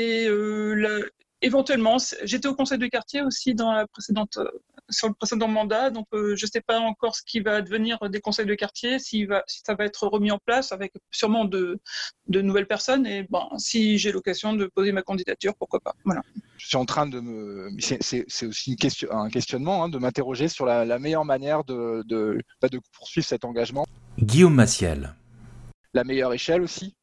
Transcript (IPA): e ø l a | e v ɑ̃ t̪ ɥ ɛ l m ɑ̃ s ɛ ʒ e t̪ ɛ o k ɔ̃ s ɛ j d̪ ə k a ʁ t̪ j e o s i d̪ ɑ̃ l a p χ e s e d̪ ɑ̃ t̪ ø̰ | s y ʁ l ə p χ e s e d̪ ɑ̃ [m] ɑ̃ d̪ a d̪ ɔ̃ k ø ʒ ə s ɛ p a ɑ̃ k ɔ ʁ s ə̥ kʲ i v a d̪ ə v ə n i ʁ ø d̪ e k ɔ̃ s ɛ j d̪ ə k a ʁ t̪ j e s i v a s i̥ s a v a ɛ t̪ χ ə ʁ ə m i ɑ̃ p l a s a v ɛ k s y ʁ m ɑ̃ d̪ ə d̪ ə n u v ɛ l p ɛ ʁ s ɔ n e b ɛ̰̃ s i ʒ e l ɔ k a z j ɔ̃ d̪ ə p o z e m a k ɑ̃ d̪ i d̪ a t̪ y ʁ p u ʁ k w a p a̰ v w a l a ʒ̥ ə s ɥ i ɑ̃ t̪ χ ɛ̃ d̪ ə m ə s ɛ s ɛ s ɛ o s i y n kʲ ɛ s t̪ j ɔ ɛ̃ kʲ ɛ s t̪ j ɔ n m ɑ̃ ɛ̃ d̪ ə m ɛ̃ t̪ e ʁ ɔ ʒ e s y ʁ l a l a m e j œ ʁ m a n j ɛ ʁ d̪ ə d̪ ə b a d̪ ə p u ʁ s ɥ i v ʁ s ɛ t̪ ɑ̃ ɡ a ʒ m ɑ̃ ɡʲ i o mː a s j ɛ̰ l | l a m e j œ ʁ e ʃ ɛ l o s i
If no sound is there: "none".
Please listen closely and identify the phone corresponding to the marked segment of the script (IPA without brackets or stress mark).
m